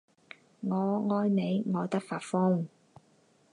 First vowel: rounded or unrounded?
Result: rounded